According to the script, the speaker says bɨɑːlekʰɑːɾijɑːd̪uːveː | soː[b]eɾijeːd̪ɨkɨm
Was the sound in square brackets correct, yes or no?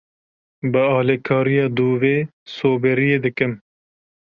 yes